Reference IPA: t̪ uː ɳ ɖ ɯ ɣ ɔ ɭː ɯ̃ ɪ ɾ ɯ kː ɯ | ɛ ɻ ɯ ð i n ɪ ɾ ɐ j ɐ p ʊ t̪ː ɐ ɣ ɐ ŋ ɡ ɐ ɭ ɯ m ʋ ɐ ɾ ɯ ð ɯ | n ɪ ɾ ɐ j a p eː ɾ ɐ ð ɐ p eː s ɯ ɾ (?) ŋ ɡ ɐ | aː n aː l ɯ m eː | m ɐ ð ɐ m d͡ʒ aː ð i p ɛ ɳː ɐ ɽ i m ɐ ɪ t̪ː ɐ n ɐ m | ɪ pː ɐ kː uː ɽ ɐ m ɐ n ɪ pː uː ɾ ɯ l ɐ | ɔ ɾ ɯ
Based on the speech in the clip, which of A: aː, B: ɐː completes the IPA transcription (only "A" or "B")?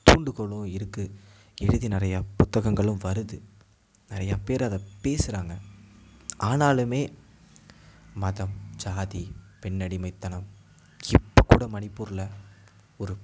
A